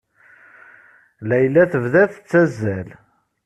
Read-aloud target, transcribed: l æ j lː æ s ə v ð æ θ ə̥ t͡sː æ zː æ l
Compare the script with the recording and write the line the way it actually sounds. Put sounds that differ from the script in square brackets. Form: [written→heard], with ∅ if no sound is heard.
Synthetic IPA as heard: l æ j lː æ [s→θ] ə v ð æ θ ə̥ t͡sː æ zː æ l